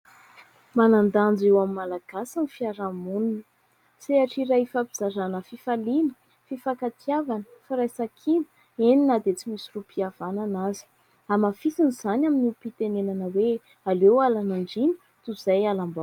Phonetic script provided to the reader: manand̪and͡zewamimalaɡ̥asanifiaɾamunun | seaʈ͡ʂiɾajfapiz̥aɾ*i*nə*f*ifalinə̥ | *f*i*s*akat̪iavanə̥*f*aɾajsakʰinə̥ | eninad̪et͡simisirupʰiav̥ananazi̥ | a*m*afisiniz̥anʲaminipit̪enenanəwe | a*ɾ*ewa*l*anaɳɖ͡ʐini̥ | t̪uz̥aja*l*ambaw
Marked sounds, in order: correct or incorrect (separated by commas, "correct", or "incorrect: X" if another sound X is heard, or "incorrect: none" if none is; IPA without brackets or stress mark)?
incorrect: a, correct, correct, incorrect: f, correct, correct, incorrect: l, correct, correct